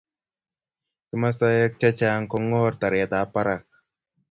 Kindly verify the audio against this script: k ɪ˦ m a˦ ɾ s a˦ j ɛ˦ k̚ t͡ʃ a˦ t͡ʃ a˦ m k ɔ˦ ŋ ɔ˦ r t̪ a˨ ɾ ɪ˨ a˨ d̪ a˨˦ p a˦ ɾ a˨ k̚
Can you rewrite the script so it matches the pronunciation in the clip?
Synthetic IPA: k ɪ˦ m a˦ s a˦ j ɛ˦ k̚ t͡ʃ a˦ t͡ʃ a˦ ŋ k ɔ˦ ŋ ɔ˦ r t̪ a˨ ɾ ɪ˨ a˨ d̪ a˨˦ p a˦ ɾ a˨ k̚